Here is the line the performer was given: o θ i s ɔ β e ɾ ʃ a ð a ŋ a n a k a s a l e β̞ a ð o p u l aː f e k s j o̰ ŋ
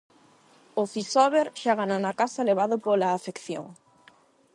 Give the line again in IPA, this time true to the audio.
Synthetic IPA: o θ i s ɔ β e ɾ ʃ a ɣ a n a n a k a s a l e β̞ a ð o p o l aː f e k θ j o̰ ŋ